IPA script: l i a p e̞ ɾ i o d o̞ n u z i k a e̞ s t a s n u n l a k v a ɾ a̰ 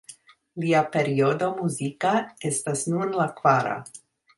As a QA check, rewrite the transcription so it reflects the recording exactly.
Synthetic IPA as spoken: l i a p e̞ ɾ i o d o̞ m u z i k a e̞ s t a s n u n l a k v a ɾ a̰